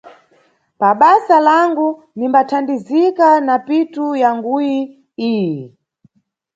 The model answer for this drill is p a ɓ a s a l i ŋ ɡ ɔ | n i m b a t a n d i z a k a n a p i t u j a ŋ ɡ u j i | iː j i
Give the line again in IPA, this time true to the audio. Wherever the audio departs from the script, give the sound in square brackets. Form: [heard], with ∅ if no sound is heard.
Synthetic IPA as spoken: p a ɓ a s a l [a] ŋ ɡ [u] | n i m b a [tʰ] a n d i z [i] k a n a p i t u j a ŋ ɡ u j i | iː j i

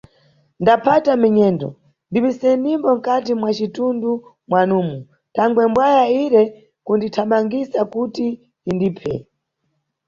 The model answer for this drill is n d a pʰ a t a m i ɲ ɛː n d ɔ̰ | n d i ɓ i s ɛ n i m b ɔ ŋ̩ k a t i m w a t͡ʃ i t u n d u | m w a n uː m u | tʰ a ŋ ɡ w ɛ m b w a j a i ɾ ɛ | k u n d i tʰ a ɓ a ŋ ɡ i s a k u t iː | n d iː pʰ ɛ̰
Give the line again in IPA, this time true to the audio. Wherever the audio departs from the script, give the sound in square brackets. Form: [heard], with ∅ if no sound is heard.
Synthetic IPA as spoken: n d a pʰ a t a m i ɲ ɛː n d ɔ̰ | n d i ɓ i s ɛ n i m b ɔ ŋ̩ k a t i m w a t͡ʃ i t u n d u | m w a n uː m u | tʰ a ŋ ɡ w ɛ m b w a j a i ɾ ɛ | k u n d i tʰ a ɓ a ŋ ɡ i s a k u t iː | n d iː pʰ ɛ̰

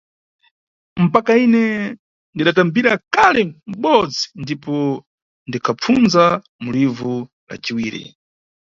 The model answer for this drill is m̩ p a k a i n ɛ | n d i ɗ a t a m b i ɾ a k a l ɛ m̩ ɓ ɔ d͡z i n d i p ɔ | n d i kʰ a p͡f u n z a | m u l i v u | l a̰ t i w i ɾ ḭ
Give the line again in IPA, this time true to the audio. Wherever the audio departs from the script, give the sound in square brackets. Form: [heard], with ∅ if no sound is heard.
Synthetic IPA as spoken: m̩ p a k a i n ɛ | n d i ɗ a t a m b i ɾ a k a l ɛ m̩ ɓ ɔ d͡z i n d i p ɔ | n d i kʰ a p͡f u n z a | m u l i v u | l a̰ [t͡ʃ] i w [iː] ɾ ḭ

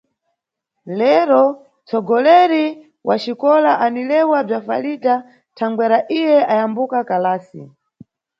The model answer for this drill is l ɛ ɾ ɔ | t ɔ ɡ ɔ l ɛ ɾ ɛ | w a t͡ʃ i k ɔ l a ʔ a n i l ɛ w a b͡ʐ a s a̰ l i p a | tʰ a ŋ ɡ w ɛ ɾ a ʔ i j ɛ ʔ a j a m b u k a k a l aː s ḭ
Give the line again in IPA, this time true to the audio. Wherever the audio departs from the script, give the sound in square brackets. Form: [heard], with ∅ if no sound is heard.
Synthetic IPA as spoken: l ɛ ɾ ɔ | [t͡s] ɔ ɡ ɔ l ɛ ɾ [i] | w a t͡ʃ i k ɔ l a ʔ a n i l ɛ w a b͡ʐ a [f] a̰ l i [t] a | tʰ a ŋ ɡ w ɛ ɾ a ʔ i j ɛ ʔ a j a m b u k a k a l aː s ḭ

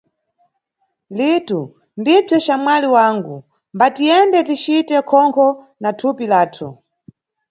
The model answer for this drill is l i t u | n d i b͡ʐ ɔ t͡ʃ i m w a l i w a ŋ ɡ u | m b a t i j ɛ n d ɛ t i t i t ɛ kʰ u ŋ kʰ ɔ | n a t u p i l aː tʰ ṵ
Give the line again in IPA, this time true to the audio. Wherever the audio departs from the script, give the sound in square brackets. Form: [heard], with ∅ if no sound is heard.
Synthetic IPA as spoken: l i t u | n d i b͡ʐ ɔ t͡ʃ [a] m w a l i w a ŋ ɡ u | m b a t i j ɛ n d ɛ t i [t͡ʃ] i t ɛ kʰ [ɔ] ŋ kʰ ɔ | n a [tʰ] u p i l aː tʰ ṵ

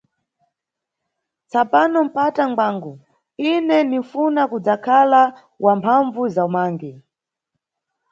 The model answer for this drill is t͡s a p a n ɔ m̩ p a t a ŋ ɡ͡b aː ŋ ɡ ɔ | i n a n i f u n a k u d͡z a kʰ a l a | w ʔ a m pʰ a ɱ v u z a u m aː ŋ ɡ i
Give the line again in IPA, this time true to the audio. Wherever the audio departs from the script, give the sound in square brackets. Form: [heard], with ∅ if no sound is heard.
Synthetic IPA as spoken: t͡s a p a n ɔ m̩ p a t a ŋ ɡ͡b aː ŋ ɡ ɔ | i n [ɛ] n i f u n a k u d͡z a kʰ a l a | w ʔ a m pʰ a ɱ v u z a u m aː ŋ ɡ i

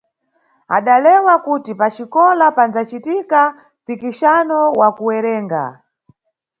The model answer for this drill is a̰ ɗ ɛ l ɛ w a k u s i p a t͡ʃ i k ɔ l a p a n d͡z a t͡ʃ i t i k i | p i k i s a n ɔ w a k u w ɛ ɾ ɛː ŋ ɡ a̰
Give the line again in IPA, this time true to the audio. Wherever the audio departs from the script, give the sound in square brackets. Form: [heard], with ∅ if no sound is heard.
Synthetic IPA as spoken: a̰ ɗ [a] l ɛ w a k u [t] i p a t͡ʃ i k ɔ l a p a n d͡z a t͡ʃ i t i k [a] | p i k i [ʃ] a n ɔ w a k u w ɛ ɾ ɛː ŋ ɡ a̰

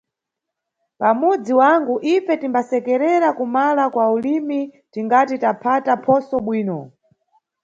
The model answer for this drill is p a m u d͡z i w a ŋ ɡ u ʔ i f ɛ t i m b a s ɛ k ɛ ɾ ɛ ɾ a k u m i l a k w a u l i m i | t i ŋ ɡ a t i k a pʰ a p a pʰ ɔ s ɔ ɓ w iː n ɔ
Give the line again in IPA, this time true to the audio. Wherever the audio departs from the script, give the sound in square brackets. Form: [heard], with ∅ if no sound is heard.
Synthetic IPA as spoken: p a m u d͡z i w a ŋ ɡ u ʔ i f ɛ t i m b a s ɛ k ɛ ɾ ɛ ɾ a k u m [a] l a k w a u l i m i | t i ŋ ɡ a t i [t] a pʰ a [t] a pʰ ɔ s ɔ ɓ w iː n ɔ

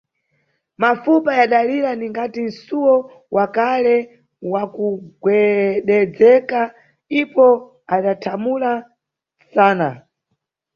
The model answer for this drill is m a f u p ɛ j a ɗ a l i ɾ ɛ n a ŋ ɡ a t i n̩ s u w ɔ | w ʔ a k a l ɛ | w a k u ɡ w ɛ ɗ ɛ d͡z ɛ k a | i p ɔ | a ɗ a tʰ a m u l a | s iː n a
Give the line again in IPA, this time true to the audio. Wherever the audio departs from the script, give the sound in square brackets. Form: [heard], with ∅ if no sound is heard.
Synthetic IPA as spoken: m a f u p [a] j a ɗ a l i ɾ [a] n [i] ŋ ɡ a t i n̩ s u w ɔ | w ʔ a k a l ɛ | w a k u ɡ w ɛ ɗ ɛ d͡z ɛ k a | i p ɔ | a ɗ a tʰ a m u l a | s [aː] n a

